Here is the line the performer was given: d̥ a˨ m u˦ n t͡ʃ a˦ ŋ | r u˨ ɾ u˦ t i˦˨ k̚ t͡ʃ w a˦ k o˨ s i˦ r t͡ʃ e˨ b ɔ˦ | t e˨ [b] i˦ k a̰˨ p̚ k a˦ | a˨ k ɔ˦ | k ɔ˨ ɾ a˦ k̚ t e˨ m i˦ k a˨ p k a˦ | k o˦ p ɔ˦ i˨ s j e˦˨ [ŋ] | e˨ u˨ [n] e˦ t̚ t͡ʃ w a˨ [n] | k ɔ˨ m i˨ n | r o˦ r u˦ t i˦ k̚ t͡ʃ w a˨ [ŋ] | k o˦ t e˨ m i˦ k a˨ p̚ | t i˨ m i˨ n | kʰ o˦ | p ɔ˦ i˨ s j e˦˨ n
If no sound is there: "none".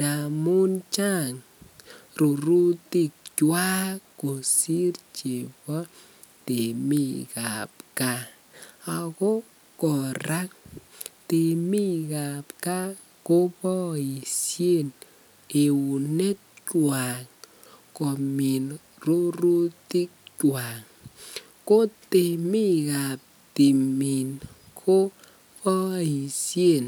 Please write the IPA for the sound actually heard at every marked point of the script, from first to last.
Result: m, n, n, ŋ, ŋ

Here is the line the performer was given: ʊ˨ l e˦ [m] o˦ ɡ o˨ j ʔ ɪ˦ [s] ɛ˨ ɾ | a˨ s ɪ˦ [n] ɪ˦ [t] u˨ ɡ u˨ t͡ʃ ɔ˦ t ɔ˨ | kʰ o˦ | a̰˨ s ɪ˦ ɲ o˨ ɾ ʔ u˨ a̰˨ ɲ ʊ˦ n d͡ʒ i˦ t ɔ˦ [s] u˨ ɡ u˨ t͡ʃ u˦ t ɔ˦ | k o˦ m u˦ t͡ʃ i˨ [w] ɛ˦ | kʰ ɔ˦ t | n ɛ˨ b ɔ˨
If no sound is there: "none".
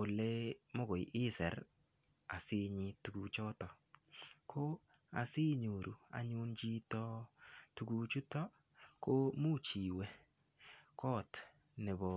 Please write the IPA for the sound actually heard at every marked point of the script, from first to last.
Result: m, s, ɲ, t, t, w

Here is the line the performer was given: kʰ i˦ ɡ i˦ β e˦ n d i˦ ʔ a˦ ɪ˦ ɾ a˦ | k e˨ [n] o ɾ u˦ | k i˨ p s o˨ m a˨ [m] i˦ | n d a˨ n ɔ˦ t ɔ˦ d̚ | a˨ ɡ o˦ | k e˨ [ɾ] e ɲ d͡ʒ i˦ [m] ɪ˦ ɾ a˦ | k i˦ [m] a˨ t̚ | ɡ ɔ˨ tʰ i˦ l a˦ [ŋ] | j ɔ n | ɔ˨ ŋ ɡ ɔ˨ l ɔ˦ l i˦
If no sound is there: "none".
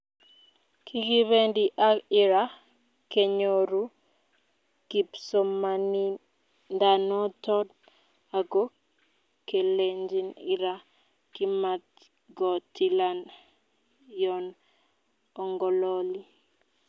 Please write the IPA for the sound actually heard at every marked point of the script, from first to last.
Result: ɲ, n, l, n, m, n

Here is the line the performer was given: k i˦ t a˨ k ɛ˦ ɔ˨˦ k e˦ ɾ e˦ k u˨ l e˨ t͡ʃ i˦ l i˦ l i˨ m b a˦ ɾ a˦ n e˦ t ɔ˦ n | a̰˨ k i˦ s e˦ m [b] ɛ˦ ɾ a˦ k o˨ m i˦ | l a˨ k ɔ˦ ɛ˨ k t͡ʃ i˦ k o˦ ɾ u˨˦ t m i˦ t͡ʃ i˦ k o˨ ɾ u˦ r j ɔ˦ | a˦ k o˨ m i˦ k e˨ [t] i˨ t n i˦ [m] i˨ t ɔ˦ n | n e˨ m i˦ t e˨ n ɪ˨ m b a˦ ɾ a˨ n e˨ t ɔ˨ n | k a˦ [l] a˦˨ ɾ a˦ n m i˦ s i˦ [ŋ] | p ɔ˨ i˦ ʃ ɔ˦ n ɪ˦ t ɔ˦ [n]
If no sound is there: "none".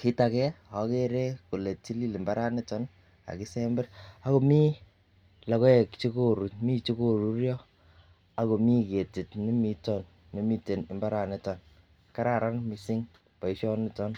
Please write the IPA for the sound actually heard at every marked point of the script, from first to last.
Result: b, t, m, ɾ, ŋ, n

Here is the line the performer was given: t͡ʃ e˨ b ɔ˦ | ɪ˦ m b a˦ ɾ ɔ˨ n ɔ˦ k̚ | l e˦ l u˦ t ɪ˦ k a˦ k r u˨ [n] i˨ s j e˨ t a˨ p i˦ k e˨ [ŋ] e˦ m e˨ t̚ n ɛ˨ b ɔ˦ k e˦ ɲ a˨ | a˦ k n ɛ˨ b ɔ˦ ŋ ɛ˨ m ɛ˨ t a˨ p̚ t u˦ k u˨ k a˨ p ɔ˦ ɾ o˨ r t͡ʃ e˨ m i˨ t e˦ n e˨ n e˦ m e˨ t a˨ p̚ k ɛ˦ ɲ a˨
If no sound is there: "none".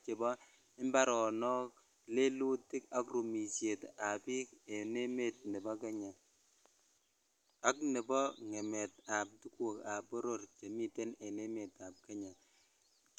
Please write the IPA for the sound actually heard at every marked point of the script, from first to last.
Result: m, n

